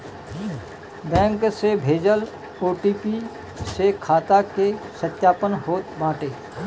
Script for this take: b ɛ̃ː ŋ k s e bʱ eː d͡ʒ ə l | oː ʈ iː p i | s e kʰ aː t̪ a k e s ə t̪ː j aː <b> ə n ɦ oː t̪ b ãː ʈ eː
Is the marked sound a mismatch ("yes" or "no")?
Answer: yes